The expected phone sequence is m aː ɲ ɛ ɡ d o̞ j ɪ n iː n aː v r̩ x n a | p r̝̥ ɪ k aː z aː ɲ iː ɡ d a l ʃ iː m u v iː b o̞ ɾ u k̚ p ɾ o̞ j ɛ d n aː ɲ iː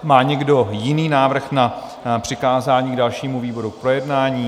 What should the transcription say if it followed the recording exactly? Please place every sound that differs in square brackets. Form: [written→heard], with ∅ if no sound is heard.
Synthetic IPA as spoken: m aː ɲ ɛ ɡ d o̞ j ɪ n iː n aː v r̩ x n a | p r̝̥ ɪ k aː z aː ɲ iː ɡ d a l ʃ iː m u v iː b o̞ ɾ u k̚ p ɾ o̞ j ɛ d n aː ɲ iː